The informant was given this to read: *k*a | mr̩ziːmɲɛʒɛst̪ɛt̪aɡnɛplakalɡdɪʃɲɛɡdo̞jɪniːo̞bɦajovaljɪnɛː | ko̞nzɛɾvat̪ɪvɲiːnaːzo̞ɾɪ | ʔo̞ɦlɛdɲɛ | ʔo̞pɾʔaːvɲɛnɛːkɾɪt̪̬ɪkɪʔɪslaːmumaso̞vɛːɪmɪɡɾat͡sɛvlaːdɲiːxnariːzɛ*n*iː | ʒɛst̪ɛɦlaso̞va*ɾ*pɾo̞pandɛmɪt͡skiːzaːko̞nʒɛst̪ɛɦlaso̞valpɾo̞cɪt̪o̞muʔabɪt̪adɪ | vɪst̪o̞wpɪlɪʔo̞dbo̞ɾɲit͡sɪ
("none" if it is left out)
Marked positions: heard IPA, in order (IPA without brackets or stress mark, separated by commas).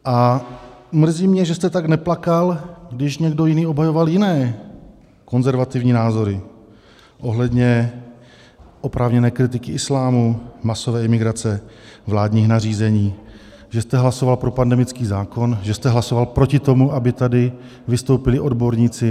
ʔ, ɲ, l